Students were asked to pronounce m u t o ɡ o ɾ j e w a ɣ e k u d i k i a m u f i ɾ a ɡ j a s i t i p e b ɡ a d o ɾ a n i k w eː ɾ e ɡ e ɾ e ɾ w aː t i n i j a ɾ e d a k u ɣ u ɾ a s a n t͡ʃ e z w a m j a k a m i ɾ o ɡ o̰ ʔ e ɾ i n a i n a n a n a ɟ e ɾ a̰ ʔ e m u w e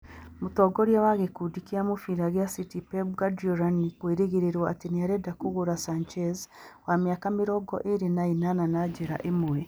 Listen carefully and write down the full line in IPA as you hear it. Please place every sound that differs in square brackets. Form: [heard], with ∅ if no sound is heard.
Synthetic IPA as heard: m u t o ɡ o ɾ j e w a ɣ e k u d i k i a m u f i ɾ a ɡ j a s i t i p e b ɡ a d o ɾ a n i k w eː ɾ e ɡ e ɾ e ɾ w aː t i n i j a ɾ e d a k u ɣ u ɾ a s a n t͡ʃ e z w a m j a k a m i ɾ o ɡ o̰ ʔ e ɾ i n a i n a n a n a ɟ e ɾ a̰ ʔ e m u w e